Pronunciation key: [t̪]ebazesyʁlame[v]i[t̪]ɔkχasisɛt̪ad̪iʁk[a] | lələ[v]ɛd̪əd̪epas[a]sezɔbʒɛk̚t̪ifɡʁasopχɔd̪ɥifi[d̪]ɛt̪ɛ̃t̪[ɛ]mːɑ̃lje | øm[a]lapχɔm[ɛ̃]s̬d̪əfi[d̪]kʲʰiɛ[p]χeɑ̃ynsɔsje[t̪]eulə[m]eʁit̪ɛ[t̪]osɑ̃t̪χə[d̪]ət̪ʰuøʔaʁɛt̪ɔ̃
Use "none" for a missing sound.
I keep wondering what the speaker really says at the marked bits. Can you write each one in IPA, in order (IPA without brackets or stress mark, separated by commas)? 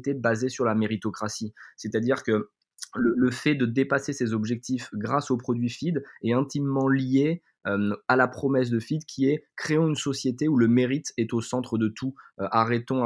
t̪, ʁ, t̪, ə, f, e, d̪, i, a, ɛ, d̪, k, t̪, m, t̪, d̪